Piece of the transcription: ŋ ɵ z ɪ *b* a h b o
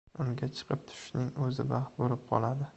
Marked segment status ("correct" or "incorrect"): correct